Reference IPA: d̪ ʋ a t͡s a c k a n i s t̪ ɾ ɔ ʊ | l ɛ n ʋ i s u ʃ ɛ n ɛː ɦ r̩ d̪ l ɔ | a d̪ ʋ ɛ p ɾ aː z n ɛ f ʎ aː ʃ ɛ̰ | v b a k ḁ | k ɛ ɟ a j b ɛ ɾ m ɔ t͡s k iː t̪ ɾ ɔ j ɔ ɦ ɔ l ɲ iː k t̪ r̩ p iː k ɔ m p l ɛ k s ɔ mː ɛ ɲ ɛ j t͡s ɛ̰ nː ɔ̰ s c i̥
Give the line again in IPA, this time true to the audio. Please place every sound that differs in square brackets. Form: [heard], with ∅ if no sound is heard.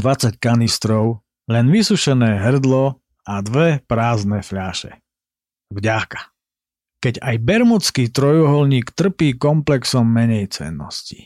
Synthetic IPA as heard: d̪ ʋ a t͡s a c k a n i s t̪ ɾ ɔ ʊ | l ɛ n ʋ i s u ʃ ɛ n ɛː ɦ r̩ d̪ l ɔ | a d̪ ʋ ɛ p ɾ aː z n ɛ f ʎ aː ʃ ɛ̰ | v [ɟ] a k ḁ | k ɛ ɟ a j b ɛ ɾ m ɔ t͡s k iː t̪ ɾ ɔ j ɔ ɦ ɔ l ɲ iː k t̪ r̩ p iː k ɔ m p l ɛ k s ɔ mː ɛ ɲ ɛ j t͡s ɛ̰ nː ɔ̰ s c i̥